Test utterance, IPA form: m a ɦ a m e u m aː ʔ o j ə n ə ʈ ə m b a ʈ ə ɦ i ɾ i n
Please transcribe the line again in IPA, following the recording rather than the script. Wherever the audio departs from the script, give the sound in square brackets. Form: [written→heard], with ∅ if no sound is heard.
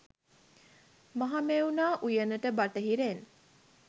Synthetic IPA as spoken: m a ɦ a m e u [m→n] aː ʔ [o→u] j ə n ə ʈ ə [m→∅] b a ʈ ə ɦ i ɾ [i→e] n